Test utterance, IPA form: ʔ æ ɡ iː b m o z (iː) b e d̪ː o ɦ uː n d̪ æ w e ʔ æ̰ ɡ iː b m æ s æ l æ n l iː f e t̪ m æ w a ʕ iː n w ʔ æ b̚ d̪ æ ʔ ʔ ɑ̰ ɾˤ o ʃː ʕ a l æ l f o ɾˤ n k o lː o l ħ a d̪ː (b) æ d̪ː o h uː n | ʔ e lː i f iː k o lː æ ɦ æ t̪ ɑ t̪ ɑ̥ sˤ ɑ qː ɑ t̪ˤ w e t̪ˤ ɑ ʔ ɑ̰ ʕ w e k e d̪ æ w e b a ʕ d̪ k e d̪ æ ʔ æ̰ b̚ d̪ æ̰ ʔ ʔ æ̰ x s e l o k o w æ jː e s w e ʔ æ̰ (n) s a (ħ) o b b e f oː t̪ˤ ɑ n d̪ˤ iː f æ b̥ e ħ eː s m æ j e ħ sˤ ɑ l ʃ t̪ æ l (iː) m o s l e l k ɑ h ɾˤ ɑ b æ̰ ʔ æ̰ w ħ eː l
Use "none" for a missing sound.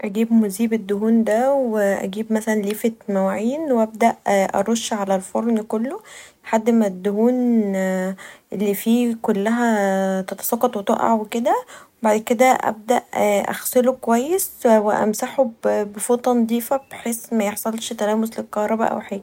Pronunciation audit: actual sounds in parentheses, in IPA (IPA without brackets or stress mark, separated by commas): iː, m, m, ħ, æː